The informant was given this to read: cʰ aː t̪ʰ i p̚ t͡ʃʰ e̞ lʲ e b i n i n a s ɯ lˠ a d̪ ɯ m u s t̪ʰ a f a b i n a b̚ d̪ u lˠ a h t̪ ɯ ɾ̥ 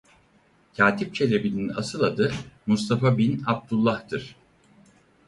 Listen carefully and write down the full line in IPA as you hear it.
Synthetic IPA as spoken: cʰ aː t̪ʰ i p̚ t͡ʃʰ e̞ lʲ e b i n i n a s ɯ lˠ a d̪ ɯ m u s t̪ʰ a f a b i n a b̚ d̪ u lˠː a h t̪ ɯ ɾ̥